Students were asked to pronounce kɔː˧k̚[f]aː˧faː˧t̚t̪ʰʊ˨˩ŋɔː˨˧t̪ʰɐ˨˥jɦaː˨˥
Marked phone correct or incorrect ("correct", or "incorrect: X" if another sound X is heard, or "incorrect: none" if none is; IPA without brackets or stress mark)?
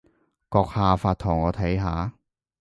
incorrect: h